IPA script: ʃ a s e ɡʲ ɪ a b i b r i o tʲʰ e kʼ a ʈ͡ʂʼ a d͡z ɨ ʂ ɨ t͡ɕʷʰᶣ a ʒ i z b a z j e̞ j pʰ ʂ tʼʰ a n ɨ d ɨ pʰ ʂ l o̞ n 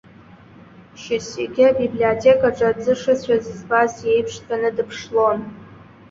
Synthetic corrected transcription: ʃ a s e ɡʲ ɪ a b i b l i o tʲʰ e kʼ a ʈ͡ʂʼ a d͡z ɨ ʂ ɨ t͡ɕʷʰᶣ a z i z b a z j e̞ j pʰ ʂ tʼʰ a n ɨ d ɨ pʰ ʂ l o̞ n

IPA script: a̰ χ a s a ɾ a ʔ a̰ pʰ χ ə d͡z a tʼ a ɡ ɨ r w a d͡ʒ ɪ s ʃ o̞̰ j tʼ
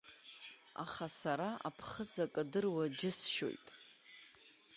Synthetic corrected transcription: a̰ χ a s a ɾ a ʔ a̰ pʰ χ ə d͡z a kʼ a d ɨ r w a d͡ʒ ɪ s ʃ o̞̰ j tʼ

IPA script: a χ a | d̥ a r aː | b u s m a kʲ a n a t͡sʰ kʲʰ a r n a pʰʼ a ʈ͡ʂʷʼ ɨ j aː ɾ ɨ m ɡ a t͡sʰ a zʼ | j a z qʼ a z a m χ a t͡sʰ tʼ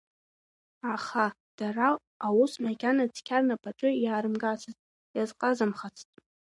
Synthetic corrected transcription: a χ a | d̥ a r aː | w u s m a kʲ a n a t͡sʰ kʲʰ a r n a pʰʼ a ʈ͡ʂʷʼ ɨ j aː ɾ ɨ m ɡ a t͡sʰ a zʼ | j a z qʼ a z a m χ a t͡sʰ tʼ

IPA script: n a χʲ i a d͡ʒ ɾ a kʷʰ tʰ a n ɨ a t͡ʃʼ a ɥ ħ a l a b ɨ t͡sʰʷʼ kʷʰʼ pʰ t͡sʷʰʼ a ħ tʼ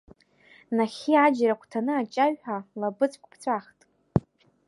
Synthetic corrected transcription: n a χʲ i a d͡ʒ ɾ a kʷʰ tʰ a n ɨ a t͡ʃʼ a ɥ ħ a l a b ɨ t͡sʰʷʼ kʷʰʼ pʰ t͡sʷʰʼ a χ tʼ

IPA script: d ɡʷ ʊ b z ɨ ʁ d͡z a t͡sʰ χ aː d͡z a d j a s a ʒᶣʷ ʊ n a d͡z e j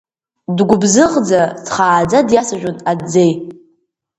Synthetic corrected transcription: d ɡʷ ʊ b z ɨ ʁ d͡z a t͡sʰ χ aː d͡z a d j a s a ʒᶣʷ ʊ n a d͡z e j

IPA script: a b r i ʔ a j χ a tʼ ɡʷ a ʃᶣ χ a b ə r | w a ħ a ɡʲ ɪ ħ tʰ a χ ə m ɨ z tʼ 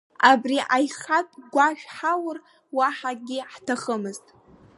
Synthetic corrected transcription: a b r i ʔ a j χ a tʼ ɡʷ a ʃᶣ ħ a w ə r | w a ħ a ɡʲ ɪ ħ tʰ a χ ə m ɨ z tʼ

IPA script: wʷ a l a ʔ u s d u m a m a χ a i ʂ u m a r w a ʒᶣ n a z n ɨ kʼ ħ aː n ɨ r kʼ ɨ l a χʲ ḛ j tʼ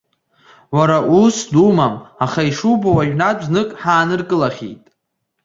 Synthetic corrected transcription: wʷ a ɾ a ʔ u s d u m a m a χ a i ʂ u b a w a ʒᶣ n a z n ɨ kʼ ħ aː n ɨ r kʼ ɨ l a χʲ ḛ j tʼ

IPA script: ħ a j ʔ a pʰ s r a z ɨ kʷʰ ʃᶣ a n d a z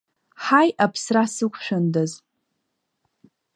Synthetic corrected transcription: ħ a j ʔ a pʰ s r a s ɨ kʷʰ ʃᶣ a n d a z

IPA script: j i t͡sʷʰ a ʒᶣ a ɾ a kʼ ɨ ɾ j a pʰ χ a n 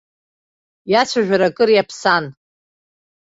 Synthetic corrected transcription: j a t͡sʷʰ a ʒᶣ a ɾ a kʼ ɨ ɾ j a pʰ s a n

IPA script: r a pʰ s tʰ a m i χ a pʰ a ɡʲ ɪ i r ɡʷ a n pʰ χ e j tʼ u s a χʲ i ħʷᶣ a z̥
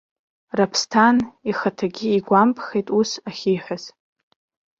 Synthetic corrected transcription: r a pʰ s tʰ a n i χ a tʰ a ɡʲ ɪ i ɡʷ a m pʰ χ e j tʼ u s a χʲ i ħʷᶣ a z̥

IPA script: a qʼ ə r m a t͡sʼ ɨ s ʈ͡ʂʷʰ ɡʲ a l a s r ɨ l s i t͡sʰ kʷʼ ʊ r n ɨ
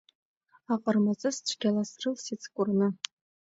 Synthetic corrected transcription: a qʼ ə r m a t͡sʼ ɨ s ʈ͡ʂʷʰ ɡʲ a l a s r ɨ l s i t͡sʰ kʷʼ ʊ r n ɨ

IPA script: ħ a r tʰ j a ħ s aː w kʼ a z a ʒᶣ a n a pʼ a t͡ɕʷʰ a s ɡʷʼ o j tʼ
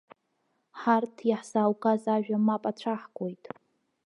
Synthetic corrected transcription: ħ a r tʰ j a ħ s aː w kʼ a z a ʒᶣ a m a pʼ a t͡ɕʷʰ a ħ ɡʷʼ o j tʼ

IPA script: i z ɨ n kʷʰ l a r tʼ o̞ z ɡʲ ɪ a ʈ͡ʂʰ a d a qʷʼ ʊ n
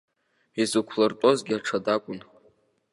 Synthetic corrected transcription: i z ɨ kʷʰ l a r tʼ o̞ z ɡʲ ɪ a ʈ͡ʂʰ a d a kʷʼ ʊ n

